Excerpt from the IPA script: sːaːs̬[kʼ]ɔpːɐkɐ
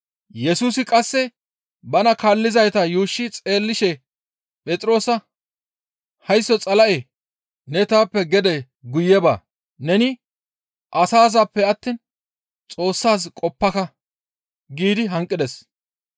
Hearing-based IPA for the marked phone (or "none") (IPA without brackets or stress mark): kʼ